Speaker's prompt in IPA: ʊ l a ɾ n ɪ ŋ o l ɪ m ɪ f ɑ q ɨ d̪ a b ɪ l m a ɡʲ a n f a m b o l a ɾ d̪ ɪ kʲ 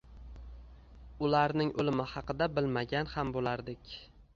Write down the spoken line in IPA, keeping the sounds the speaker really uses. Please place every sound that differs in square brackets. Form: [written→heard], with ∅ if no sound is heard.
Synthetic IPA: ʊ l a ɾ n ɪ ŋ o l ɪ m ɪ [f→h] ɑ q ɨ d̪ a b ɪ l m a ɡʲ a n [f→h] a m b o l a ɾ d̪ ɪ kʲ